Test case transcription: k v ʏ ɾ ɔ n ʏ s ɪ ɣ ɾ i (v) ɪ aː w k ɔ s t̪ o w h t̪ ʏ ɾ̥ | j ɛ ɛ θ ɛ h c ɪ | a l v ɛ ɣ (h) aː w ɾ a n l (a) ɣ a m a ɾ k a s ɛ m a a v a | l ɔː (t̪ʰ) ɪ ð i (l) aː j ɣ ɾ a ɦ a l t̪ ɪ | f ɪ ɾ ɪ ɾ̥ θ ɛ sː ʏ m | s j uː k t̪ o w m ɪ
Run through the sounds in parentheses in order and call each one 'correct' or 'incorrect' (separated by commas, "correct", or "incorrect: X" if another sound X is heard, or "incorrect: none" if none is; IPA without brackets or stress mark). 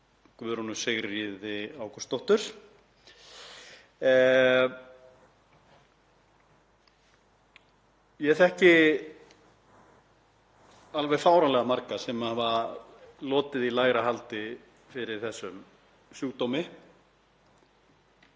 incorrect: ð, incorrect: f, incorrect: ɛ, incorrect: t̪, correct